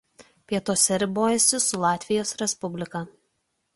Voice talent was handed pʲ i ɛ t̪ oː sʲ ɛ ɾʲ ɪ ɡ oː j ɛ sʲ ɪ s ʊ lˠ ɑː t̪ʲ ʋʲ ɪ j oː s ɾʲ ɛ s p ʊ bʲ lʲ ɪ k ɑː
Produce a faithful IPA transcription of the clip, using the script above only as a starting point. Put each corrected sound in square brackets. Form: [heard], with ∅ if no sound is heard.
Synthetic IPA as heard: pʲ i ɛ t̪ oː sʲ ɛ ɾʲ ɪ [b] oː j ɛ sʲ ɪ s ʊ lˠ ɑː t̪ʲ ʋʲ ɪ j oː s ɾʲ ɛ s p ʊ bʲ lʲ ɪ k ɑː